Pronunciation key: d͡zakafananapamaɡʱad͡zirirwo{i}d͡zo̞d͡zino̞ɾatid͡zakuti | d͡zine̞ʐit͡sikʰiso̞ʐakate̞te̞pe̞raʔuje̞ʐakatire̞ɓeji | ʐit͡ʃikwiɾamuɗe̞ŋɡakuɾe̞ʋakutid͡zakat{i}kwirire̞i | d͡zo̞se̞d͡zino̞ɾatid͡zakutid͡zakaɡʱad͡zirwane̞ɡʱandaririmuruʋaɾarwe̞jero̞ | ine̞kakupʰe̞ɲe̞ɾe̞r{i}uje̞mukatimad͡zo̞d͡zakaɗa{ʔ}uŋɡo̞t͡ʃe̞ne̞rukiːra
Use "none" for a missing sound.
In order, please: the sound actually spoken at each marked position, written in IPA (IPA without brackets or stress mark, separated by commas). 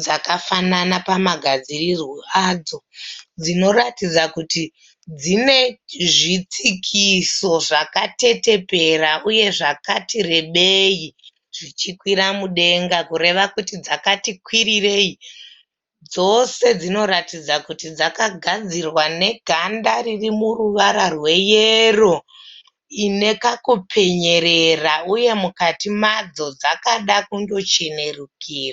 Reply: a, i, a, k